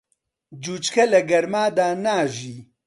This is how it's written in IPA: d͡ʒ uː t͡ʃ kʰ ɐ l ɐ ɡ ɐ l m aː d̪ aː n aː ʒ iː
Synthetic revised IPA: d͡ʒ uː t͡ʃ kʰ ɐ l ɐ ɡ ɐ ɾ m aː d̪ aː n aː ʒ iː

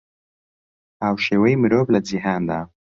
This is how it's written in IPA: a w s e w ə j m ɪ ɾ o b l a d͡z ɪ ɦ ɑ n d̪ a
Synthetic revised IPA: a w ʃ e w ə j m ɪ ɾ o b l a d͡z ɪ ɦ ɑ n d̪ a

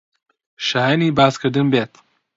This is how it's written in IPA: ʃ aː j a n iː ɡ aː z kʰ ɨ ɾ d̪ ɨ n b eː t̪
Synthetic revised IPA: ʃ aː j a n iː b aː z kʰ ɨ ɾ d̪ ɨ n b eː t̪

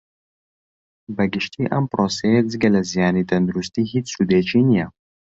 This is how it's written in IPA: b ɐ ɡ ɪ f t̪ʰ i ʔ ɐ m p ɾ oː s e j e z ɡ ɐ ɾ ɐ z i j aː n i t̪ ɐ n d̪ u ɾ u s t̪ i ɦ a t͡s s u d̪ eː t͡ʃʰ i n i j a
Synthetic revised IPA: b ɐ ɡ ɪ ʃ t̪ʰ i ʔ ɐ m p ɾ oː s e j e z ɡ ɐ l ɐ z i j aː n i t̪ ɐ n d̪ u ɾ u s t̪ i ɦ i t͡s s u d̪ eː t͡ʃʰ i n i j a

